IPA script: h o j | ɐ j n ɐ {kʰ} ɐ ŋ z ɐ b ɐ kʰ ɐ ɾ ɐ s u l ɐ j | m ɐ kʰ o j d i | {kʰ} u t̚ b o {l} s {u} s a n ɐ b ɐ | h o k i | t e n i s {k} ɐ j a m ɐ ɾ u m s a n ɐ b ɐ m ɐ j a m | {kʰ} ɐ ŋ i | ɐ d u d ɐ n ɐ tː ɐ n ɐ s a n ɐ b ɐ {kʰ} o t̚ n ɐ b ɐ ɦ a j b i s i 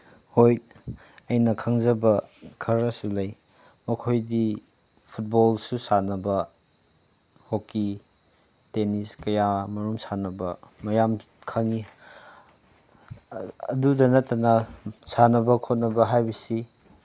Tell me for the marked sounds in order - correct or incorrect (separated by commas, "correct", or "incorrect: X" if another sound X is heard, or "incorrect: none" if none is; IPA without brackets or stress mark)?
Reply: correct, incorrect: pʰ, correct, correct, correct, correct, correct